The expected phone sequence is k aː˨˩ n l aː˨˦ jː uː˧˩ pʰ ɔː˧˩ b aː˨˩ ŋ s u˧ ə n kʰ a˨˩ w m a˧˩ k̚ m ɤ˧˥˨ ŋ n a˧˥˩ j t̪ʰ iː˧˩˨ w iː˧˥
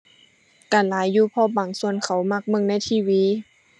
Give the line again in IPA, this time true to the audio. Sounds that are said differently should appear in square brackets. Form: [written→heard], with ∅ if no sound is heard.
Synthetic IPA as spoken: k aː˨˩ n l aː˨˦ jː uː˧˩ pʰ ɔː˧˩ b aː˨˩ ŋ s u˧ ə n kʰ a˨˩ w m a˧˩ k̚ m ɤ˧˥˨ ŋ n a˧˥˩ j t̪ʰ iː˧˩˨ w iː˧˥